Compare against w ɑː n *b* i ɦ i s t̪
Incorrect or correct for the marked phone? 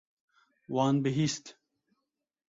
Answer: correct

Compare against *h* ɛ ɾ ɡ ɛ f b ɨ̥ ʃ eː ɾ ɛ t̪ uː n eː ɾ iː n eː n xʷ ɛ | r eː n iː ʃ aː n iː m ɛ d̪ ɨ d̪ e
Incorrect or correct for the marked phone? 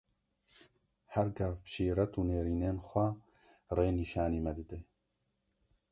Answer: correct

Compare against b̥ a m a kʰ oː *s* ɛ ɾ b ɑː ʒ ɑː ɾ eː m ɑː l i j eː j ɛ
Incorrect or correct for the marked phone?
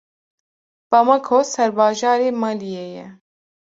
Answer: correct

